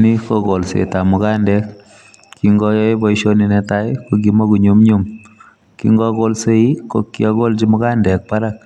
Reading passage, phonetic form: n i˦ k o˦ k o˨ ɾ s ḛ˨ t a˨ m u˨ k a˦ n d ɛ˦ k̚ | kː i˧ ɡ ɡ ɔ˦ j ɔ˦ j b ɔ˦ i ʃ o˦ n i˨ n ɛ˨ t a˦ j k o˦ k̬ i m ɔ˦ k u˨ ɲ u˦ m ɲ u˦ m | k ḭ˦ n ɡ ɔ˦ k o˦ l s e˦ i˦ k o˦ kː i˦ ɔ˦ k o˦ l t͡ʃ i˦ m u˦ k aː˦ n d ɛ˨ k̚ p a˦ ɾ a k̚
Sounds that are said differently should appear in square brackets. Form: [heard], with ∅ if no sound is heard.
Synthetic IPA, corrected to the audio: n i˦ k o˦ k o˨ [l] s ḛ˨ t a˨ m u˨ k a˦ n d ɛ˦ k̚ | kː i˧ [ŋ] ɡ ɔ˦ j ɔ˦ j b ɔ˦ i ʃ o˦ n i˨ n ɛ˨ t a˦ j k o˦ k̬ i m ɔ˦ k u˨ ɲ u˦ m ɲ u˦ m | k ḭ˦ [ŋ] ɡ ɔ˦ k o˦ l s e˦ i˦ k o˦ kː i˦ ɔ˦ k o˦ l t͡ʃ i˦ m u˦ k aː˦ n d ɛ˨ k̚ p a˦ ɾ a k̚

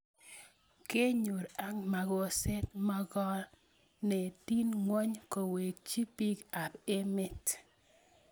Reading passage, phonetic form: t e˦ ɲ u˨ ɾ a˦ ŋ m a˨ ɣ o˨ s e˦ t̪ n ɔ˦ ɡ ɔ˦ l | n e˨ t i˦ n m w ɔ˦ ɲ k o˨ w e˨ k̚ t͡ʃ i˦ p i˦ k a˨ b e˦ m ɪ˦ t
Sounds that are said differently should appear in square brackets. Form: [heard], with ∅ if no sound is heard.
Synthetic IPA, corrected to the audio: [k] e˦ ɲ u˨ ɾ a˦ ŋ m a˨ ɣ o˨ s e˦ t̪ [m] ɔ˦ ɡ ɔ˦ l | n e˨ t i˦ n [ŋ] w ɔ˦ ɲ k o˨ w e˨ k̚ t͡ʃ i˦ p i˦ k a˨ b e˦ m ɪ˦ t

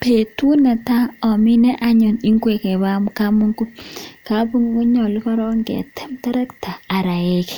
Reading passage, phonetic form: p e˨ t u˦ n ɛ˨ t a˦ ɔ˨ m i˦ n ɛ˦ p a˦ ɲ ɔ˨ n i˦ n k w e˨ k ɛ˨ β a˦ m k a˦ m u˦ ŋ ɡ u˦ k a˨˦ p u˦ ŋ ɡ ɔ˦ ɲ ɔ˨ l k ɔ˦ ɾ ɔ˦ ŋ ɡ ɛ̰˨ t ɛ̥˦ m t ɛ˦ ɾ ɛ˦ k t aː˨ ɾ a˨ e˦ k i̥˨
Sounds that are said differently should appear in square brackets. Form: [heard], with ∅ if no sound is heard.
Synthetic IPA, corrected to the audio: p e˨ t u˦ n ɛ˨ t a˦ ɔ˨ m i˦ n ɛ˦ [ʔ] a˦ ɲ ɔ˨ n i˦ [ŋ] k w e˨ k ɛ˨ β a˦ m k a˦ m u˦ ŋ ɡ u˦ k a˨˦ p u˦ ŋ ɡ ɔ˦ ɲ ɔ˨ l k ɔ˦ ɾ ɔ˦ ŋ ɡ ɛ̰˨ t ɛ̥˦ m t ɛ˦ ɾ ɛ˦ k t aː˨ ɾ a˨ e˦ k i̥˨

